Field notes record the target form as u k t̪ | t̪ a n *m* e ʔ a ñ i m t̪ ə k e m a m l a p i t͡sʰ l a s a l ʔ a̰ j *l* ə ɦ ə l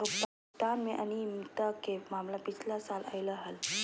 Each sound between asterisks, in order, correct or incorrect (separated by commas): correct, correct